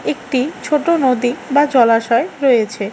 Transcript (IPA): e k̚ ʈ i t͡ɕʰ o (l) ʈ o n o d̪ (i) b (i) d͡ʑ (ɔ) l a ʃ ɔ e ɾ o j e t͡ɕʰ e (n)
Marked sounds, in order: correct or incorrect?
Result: incorrect: none, correct, incorrect: a, correct, incorrect: none

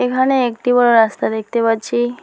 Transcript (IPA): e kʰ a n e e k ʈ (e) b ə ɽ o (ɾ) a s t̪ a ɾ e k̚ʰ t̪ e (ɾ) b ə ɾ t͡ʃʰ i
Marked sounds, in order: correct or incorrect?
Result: incorrect: i, correct, incorrect: none

